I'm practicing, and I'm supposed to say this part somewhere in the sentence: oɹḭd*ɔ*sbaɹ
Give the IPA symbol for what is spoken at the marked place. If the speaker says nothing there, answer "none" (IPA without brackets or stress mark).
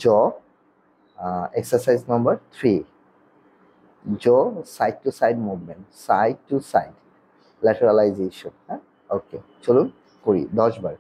ɔ